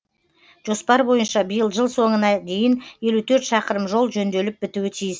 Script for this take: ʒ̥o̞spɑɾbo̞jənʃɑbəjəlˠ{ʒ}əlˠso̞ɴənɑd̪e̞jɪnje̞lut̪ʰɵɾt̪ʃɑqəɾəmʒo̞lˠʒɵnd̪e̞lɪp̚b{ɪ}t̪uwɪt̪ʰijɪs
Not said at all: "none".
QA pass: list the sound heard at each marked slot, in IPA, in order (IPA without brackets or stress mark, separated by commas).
ʒ, ɪ